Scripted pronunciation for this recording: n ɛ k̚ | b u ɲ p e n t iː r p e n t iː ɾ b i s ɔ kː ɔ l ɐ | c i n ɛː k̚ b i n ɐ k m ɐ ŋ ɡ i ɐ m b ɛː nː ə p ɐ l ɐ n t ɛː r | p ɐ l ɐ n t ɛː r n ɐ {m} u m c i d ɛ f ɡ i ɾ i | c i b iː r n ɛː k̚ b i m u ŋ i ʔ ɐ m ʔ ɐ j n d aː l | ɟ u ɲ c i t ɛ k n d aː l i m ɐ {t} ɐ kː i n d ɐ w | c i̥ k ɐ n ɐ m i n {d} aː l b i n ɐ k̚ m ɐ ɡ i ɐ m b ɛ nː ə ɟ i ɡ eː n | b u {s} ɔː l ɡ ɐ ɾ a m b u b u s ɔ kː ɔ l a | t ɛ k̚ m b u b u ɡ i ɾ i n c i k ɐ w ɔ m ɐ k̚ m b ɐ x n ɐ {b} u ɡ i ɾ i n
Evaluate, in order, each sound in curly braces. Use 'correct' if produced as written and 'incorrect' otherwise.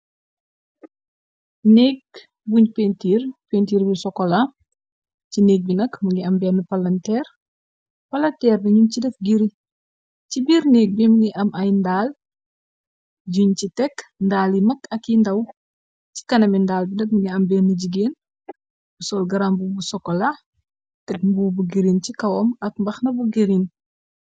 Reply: incorrect: ɲ, incorrect: k, correct, correct, correct

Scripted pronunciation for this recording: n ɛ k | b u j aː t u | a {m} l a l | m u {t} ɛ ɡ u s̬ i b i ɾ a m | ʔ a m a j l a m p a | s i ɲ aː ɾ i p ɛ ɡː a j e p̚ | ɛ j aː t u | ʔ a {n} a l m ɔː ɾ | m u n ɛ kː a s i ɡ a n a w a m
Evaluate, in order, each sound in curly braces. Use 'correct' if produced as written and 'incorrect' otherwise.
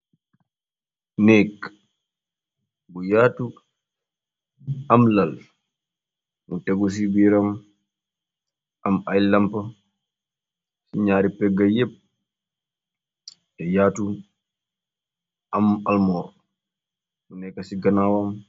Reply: correct, correct, incorrect: m

